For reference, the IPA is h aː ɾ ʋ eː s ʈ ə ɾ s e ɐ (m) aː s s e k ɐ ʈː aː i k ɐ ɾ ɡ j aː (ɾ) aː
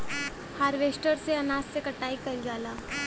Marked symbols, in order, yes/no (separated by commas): no, no